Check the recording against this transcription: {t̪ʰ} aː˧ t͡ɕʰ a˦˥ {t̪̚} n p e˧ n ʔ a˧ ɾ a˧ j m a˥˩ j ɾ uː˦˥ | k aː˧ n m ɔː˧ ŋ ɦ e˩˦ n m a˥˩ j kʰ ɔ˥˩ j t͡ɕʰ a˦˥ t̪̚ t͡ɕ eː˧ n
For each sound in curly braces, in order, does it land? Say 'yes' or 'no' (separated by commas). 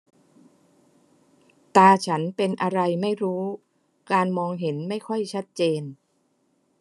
no, no